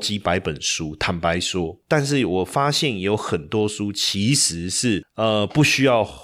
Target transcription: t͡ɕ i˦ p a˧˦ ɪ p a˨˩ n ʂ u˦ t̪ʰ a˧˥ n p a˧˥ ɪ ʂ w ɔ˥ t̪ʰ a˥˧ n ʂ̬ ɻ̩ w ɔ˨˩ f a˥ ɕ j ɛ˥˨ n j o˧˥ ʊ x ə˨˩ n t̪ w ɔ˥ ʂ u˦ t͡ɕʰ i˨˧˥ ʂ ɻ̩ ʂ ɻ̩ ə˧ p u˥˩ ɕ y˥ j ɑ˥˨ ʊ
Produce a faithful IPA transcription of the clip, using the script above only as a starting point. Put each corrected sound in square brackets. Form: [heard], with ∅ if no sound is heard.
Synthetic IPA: t͡ɕ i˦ p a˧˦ ɪ p [ə˨˩] n ʂ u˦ t̪ʰ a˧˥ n p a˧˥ ɪ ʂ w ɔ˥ [t̪] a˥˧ n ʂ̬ ɻ̩ w ɔ˨˩ f a˥ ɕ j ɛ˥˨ n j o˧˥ ʊ x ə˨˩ n t̪ w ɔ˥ ʂ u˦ t͡ɕʰ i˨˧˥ ʂ ɻ̩ ʂ ɻ̩ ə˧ p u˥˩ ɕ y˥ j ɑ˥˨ ʊ